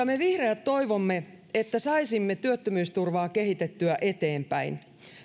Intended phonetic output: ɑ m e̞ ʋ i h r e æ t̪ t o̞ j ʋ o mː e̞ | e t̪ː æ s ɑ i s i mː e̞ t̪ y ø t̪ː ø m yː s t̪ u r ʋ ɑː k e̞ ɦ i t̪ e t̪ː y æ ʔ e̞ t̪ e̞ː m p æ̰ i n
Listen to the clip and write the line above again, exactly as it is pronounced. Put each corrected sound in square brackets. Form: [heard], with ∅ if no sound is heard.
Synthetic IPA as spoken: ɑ m e̞ ʋ i h r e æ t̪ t o̞ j ʋ o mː e̞ | e t̪ː æ s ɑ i s i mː e̞ t̪ y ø t̪ː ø m yː s t̪ u r ʋ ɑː k e̞ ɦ i t̪ e t̪ː y æ ʔ e̞ t̪ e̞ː m p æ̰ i n